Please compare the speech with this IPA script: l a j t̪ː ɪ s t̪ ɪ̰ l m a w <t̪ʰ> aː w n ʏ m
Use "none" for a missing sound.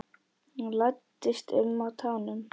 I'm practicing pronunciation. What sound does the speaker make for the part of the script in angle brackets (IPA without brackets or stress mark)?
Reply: t̪ʰ